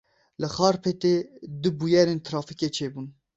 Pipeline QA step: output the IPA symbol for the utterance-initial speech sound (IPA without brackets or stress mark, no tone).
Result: l